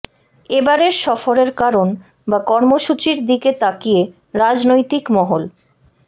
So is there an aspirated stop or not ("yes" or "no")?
no